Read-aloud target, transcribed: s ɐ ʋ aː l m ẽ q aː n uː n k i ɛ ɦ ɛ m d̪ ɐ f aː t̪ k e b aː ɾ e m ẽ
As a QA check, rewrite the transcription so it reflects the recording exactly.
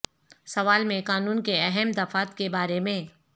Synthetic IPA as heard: s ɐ ʋ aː l m ẽ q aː n uː n k e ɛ ɦ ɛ m d̪ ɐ f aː t̪ k e b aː ɾ e m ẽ